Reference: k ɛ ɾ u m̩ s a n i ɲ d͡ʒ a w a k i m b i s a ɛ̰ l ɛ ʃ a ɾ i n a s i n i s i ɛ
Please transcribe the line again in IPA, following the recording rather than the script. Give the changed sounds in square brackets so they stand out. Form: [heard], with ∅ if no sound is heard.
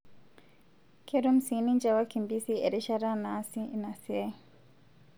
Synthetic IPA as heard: k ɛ ɾ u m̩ s [i] n i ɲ d͡ʒ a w a k i m b i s [i] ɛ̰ [ɾ] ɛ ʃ a ɾ [a] n a s i n [a] s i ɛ